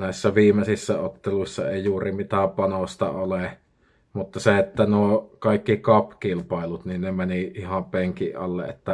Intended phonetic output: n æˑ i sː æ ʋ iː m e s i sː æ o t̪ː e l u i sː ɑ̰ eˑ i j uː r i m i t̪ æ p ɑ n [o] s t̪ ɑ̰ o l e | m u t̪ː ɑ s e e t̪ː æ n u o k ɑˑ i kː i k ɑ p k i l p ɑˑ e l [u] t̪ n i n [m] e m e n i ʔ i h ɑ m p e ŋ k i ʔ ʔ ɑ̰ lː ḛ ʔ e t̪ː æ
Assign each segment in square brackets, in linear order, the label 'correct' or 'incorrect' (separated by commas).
correct, correct, incorrect